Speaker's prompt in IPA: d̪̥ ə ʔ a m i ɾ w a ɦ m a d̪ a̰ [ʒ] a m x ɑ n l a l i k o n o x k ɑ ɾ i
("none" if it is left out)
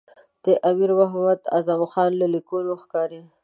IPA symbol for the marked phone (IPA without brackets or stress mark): z